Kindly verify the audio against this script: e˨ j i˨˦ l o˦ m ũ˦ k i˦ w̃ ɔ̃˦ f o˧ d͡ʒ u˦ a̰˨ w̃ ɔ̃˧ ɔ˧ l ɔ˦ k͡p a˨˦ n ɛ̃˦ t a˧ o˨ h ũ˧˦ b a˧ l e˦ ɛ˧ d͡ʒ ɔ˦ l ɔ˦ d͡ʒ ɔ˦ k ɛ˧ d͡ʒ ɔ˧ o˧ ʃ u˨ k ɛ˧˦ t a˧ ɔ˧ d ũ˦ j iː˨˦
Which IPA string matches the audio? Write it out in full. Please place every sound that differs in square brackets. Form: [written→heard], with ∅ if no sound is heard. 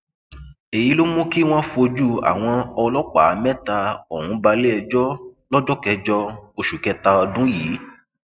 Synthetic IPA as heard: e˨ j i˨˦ l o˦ m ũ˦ k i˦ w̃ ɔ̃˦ f o˧ d͡ʒ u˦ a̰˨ w̃ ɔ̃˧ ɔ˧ l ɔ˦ k͡p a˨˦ [n→m] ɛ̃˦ t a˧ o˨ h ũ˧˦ b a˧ l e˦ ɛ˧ d͡ʒ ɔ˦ l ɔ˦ d͡ʒ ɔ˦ k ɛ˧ d͡ʒ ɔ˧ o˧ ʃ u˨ k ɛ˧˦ t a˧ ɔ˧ d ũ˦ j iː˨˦